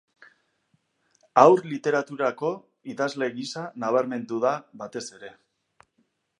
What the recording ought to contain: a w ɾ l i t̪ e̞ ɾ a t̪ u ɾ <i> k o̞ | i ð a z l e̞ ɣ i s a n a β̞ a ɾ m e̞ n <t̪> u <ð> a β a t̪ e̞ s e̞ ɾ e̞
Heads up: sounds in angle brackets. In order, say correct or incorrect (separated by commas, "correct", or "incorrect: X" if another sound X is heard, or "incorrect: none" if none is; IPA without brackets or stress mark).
incorrect: a, incorrect: d̪, correct